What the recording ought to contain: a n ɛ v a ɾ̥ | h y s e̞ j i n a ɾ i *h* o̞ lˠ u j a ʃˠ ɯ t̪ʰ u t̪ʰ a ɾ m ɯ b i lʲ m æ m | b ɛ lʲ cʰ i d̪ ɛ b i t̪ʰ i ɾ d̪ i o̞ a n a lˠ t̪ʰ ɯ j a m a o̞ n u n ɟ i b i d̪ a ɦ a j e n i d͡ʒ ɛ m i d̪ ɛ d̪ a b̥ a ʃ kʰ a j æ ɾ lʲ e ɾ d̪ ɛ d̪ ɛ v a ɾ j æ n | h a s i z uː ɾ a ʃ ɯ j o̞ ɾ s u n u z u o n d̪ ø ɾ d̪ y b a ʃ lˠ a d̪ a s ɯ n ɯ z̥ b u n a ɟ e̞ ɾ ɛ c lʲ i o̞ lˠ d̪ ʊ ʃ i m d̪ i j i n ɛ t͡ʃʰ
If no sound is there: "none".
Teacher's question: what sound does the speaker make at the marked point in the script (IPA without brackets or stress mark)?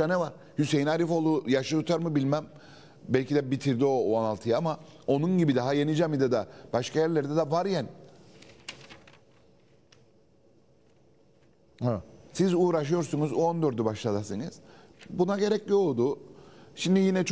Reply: f